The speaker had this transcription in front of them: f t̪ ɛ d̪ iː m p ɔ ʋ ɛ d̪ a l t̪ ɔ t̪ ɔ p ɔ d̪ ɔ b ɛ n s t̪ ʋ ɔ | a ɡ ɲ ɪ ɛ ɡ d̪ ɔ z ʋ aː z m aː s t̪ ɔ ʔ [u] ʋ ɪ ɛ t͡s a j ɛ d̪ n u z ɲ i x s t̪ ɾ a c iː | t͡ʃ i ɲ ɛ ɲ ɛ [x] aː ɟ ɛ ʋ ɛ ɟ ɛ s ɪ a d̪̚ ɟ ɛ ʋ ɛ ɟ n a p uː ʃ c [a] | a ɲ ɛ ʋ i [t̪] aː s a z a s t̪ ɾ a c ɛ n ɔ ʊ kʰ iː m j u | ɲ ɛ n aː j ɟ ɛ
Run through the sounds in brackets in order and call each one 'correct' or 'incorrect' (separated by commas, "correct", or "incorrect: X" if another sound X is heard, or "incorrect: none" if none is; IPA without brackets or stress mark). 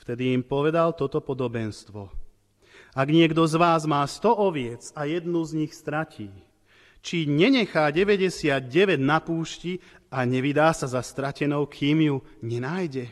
incorrect: ɔ, correct, incorrect: i, incorrect: d̪